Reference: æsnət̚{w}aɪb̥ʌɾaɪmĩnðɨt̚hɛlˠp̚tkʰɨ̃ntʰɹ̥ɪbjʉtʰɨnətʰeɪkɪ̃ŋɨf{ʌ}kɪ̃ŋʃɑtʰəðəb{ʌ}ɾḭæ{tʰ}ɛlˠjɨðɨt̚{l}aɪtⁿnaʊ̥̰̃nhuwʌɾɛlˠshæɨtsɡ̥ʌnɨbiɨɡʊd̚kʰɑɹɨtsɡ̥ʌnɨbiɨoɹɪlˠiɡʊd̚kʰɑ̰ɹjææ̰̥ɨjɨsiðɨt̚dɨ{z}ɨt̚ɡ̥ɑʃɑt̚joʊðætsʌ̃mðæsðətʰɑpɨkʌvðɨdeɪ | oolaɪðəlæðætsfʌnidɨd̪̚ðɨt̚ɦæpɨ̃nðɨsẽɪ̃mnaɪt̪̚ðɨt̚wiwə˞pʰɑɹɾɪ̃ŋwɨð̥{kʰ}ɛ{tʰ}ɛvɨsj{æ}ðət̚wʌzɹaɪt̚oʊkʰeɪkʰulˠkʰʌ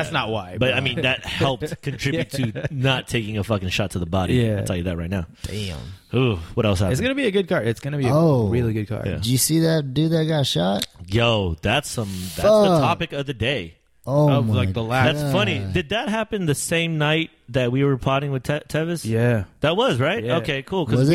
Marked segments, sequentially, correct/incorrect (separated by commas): correct, correct, incorrect, correct, incorrect, incorrect, incorrect, correct, correct